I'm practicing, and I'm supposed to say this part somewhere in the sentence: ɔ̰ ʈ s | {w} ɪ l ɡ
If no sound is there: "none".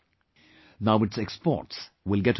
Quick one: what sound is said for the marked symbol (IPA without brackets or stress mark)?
w